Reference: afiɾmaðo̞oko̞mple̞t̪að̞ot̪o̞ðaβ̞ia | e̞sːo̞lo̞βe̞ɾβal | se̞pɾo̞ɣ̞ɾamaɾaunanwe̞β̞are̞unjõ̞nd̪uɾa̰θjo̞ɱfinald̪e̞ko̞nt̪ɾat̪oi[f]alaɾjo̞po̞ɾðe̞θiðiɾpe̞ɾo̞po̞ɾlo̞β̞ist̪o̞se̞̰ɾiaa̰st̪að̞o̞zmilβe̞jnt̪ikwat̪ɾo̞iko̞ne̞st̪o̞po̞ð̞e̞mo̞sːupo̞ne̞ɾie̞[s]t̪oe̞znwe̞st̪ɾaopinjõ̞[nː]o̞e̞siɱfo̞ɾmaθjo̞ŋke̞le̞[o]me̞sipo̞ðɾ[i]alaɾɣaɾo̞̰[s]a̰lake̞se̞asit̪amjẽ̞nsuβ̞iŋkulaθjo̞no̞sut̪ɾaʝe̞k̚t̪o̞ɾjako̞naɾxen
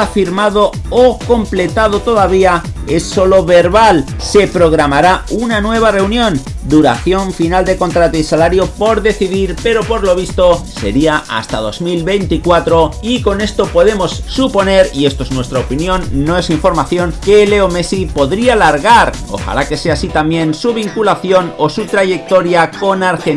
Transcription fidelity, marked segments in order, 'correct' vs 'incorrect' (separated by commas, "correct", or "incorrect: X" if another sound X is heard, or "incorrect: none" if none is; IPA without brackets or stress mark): incorrect: s, correct, correct, correct, correct, incorrect: x